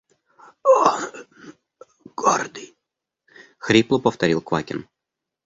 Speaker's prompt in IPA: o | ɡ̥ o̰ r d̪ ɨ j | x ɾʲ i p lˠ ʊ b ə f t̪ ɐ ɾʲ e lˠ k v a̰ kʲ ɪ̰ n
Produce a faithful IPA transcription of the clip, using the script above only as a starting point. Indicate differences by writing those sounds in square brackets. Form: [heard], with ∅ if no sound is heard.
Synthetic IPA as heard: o | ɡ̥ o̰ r d̪ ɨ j | x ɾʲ i p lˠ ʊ [p] ə f t̪ ɐ ɾʲ [i] lˠ k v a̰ kʲ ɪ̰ n